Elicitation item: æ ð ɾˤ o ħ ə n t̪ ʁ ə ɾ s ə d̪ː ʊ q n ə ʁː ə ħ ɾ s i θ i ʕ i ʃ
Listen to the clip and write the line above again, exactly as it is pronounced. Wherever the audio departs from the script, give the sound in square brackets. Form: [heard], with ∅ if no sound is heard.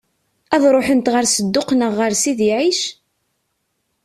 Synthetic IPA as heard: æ ð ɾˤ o ħ ə n t̪ ʁ ə ɾ s ə d̪ː ʊ q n ə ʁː ə [∅] ɾ s i [ð] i ʕ i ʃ